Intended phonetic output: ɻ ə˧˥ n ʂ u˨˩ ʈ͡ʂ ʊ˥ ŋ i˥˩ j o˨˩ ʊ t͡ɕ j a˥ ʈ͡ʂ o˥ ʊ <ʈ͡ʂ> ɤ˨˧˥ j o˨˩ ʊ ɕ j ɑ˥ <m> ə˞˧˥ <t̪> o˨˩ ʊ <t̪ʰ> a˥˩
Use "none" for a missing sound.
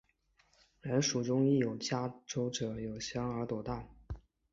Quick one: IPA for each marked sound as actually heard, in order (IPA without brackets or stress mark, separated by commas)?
ʈ͡ʂ, ŋ, t̪, t̪